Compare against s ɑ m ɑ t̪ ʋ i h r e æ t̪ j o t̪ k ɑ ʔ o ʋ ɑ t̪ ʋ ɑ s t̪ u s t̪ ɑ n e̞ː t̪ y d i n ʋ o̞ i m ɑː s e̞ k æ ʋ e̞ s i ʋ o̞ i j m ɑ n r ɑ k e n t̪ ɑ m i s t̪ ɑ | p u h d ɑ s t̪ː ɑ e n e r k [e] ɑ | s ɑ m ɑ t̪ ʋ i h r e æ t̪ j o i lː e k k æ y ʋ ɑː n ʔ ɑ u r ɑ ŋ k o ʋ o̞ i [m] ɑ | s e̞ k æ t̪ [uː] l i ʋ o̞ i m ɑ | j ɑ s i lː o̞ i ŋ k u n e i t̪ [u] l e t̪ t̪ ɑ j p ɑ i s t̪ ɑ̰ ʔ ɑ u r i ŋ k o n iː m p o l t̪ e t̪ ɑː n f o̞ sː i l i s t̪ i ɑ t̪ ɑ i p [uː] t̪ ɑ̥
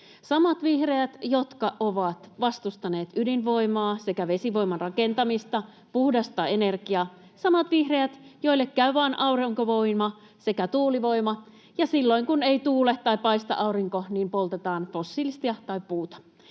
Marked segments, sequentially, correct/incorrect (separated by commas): incorrect, correct, correct, incorrect, correct